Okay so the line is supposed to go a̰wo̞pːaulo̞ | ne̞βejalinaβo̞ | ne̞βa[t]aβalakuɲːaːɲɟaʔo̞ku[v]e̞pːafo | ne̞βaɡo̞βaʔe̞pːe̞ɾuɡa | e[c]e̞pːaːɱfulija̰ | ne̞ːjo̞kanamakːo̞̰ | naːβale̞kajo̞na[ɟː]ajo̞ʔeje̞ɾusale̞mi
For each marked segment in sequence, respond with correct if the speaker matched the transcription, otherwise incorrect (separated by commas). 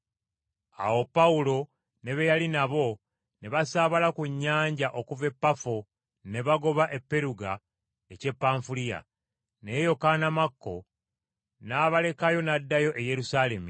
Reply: incorrect, correct, correct, incorrect